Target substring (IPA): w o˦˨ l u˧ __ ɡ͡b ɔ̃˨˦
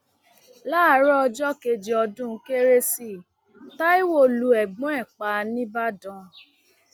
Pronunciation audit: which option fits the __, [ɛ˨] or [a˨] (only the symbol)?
ɛ˨